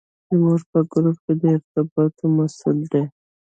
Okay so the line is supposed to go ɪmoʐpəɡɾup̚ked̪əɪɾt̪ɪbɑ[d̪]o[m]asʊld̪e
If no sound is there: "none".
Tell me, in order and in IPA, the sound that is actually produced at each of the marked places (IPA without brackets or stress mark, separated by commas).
t̪, m